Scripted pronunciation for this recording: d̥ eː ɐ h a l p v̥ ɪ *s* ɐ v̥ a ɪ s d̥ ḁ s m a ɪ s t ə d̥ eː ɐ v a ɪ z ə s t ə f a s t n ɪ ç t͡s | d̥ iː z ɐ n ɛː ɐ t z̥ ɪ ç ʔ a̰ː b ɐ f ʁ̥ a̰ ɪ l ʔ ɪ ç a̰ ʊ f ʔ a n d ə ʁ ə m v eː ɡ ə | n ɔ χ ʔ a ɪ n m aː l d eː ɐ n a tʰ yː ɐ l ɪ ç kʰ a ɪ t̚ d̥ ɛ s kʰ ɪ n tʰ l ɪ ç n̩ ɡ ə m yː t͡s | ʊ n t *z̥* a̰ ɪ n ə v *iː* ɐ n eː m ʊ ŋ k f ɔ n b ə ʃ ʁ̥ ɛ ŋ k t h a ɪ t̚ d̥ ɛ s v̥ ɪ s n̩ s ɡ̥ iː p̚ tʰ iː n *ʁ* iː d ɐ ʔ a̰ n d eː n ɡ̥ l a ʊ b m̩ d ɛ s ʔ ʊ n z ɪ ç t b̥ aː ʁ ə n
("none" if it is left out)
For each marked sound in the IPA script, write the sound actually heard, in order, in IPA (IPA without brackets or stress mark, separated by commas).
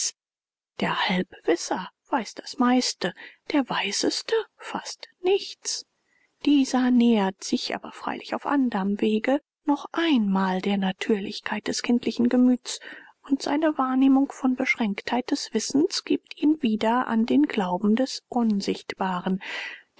s, z̥, aː, v